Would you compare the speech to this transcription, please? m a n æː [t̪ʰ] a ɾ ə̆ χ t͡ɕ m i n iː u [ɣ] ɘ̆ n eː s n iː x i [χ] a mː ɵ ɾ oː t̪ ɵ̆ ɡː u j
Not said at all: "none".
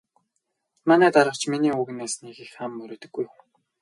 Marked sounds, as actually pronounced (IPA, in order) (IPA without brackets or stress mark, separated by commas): t̪, ɣ, x